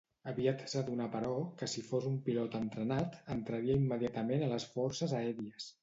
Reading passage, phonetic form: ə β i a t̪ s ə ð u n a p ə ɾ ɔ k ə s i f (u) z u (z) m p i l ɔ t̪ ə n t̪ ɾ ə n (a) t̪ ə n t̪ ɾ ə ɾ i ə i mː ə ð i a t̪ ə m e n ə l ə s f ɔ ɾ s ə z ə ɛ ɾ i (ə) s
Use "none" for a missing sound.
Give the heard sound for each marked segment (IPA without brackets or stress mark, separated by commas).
o, none, a, ə